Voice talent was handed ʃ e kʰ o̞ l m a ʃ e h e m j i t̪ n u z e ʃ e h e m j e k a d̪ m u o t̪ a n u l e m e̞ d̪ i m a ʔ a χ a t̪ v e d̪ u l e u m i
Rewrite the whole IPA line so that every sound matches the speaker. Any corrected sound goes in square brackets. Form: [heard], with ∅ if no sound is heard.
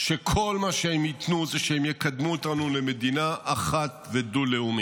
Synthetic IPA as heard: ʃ e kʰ o̞ l m a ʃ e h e m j i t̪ n u z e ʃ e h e m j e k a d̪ m u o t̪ a n u l e m e̞ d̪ i [n] a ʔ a χ a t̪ v e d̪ u l e u m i